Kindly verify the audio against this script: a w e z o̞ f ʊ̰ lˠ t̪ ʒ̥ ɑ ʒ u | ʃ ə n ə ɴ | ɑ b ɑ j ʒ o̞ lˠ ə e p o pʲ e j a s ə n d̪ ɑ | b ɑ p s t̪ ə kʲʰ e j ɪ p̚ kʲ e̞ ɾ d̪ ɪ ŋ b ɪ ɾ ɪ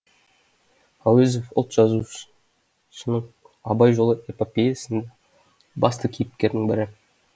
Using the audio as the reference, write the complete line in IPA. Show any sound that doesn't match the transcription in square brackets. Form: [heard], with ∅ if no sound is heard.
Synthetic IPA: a w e z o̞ f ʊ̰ lˠ t̪ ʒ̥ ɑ [z] u | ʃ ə n ə ɴ | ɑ b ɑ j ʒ o̞ lˠ ə e p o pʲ e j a s ə n d̪ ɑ | b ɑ [∅] s t̪ ə kʲʰ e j ɪ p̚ kʲ e̞ ɾ d̪ ɪ ŋ b ɪ ɾ ɪ

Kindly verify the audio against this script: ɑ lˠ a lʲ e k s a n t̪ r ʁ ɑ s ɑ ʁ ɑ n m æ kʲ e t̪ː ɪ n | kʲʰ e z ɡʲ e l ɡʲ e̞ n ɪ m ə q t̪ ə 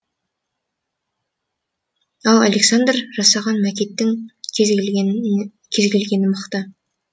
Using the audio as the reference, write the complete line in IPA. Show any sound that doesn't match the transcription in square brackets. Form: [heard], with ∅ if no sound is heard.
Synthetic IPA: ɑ lˠ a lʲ e k s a n [d̪] r [ʒ] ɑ s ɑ ʁ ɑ n m æ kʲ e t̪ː ɪ [ŋ] | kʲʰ e z ɡʲ e l ɡʲ e̞ n ɪ m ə q t̪ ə

